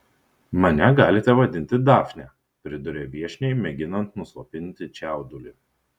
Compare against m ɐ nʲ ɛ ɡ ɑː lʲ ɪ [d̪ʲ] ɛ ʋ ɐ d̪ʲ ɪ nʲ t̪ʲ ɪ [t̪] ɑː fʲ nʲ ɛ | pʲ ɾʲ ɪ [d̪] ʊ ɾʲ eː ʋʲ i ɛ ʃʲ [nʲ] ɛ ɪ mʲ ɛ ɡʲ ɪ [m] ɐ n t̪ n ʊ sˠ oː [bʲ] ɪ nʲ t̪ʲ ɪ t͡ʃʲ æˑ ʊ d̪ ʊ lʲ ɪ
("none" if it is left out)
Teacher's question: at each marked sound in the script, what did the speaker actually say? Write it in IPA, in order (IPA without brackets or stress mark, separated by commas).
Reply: t̪ʲ, d̪, d̪, nʲ, n, pʲ